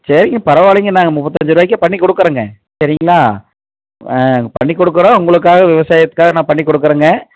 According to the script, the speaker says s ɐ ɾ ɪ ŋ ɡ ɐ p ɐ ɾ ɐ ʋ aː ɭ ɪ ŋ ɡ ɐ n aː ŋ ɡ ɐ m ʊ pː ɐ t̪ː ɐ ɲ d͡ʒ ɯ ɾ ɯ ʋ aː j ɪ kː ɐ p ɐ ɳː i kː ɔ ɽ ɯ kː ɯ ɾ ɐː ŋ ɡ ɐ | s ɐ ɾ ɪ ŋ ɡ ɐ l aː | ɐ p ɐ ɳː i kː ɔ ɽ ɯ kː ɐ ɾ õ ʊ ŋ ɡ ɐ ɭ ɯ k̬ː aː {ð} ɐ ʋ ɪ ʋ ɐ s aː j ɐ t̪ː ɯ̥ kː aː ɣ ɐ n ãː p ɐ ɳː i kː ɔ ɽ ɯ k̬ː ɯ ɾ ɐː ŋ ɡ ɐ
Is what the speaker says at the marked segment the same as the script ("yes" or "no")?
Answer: no